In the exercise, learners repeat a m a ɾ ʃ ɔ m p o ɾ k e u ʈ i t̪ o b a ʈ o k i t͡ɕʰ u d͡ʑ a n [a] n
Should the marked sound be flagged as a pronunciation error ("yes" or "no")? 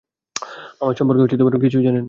yes